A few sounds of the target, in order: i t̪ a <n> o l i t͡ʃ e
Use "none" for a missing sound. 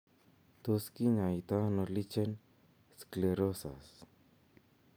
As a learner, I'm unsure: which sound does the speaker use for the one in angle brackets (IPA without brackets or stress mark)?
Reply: n